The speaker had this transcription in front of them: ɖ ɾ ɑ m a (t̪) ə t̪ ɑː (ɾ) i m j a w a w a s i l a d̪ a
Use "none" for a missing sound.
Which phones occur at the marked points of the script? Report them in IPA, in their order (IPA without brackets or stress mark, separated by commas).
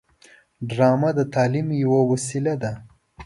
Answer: d̪, l